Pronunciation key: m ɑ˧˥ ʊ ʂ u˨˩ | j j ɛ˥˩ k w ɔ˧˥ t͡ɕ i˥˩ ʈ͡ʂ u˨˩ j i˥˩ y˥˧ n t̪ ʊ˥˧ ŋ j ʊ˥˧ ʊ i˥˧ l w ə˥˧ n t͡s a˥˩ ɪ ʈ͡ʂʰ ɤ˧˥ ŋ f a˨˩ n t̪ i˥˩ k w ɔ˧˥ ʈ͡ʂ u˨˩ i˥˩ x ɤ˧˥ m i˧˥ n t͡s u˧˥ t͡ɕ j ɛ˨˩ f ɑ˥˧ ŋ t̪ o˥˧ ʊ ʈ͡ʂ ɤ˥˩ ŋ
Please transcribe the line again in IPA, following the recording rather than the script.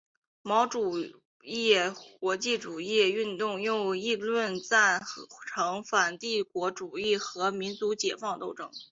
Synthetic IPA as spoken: m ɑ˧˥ ʊ ʈ͡ʂ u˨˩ | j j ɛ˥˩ k w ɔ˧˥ t͡ɕ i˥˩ ʈ͡ʂ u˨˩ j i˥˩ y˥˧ n t̪ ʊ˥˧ ŋ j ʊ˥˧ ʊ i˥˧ l w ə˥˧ n t͡s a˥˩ ɪ ʈ͡ʂʰ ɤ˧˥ ŋ f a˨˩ n t̪ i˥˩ k w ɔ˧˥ ʈ͡ʂ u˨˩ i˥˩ x ɤ˧˥ m i˧˥ n t͡s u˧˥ t͡ɕ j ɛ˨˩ f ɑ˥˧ ŋ t̪ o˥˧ ʊ ʈ͡ʂ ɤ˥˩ ŋ

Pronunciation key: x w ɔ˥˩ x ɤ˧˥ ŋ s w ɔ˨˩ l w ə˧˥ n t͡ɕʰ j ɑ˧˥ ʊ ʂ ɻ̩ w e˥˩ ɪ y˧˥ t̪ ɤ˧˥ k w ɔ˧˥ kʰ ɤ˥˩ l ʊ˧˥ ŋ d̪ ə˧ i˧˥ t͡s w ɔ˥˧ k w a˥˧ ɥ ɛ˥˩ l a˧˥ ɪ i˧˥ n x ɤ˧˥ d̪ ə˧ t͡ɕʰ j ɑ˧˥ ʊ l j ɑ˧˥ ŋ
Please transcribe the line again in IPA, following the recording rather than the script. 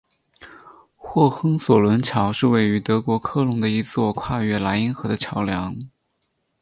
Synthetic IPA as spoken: x w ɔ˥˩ x ɤ˥ ŋ s w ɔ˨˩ l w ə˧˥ n t͡ɕʰ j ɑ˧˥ ʊ ʂ ɻ̩ w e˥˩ ɪ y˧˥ t̪ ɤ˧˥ k w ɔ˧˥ kʰ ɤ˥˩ l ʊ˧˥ ŋ d̪ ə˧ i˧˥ t͡s w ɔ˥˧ kʰ w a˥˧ ɥ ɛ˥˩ l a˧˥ ɪ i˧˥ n x ɤ˧˥ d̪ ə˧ t͡ɕʰ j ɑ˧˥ ʊ l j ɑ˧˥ ŋ

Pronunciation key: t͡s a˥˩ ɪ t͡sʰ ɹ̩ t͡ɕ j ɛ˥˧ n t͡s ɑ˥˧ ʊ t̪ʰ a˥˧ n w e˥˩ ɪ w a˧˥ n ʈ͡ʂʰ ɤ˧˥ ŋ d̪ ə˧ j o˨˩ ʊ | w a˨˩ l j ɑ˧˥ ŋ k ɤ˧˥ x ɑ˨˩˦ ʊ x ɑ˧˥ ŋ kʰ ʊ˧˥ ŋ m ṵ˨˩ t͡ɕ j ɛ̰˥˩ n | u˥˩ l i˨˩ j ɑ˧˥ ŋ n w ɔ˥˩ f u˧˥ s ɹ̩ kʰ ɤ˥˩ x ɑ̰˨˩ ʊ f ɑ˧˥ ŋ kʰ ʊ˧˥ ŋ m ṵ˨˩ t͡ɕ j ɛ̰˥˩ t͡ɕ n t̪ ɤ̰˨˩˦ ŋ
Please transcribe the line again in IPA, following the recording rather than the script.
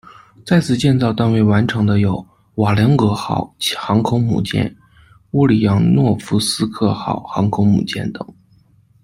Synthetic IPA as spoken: t͡s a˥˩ ɪ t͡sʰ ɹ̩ t͡ɕ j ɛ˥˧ n t͡s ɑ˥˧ ʊ t̪ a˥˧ n w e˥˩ ɪ w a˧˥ n ʈ͡ʂʰ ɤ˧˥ ŋ d̪ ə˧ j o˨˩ ʊ | w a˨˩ l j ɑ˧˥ ŋ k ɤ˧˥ x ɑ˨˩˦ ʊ x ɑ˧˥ ŋ kʰ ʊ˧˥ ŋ m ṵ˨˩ t͡ɕ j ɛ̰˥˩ n | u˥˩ l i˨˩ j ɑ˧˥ ŋ n w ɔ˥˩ f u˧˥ s ɹ̩ kʰ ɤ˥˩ x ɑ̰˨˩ ʊ x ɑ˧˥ ŋ kʰ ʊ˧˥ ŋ m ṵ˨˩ t͡ɕ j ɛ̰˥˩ n t̪ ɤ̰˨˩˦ ŋ

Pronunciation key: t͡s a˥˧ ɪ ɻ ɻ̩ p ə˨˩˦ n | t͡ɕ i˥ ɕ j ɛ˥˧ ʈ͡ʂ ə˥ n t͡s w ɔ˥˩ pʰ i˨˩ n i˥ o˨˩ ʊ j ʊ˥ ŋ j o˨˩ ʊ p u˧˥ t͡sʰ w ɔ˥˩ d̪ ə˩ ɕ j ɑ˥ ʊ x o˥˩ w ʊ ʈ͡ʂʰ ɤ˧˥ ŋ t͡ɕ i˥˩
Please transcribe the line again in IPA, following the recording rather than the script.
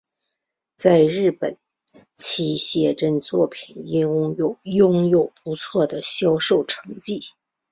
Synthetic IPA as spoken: t͡s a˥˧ ɪ ɻ ɻ̩ p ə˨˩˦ n | t͡ɕʰ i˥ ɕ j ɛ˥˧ ʈ͡ʂ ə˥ n t͡s w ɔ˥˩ pʰ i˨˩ n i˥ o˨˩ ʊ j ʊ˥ ŋ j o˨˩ ʊ p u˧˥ t͡sʰ w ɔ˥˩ d̪ ə˩ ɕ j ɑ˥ ʊ ʂ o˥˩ ʊ ʈ͡ʂʰ ɤ˧˥ ŋ t͡ɕ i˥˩

